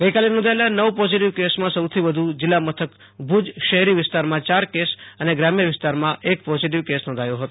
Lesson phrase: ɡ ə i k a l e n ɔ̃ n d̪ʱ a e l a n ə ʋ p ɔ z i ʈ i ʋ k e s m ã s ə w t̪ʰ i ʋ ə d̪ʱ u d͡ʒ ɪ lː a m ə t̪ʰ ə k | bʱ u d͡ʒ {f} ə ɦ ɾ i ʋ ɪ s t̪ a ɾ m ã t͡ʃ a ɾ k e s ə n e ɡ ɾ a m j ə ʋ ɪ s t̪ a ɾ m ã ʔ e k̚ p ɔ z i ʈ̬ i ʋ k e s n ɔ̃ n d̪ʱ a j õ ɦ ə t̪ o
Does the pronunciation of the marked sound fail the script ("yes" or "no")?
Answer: yes